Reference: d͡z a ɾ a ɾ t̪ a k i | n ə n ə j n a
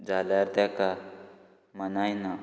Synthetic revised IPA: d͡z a l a ɾ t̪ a k a | m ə n a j n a